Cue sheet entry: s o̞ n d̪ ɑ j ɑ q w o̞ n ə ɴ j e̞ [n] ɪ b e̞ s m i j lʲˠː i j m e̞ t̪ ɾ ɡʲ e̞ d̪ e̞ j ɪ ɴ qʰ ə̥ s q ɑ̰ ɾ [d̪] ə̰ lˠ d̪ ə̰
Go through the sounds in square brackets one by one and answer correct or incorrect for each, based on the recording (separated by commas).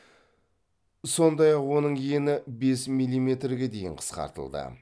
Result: correct, incorrect